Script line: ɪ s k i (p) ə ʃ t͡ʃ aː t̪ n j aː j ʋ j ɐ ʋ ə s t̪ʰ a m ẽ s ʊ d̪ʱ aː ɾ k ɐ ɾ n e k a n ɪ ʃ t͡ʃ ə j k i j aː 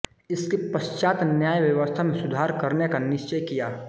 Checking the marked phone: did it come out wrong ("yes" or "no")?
no